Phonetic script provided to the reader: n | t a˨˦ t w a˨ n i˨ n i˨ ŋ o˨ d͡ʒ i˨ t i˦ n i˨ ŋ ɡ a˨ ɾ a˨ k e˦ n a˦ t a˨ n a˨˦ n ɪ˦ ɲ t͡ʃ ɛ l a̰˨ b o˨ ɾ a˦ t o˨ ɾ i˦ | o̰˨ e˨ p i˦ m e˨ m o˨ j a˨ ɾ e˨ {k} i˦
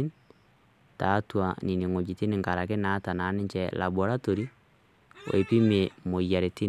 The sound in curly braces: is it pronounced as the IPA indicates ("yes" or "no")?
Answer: no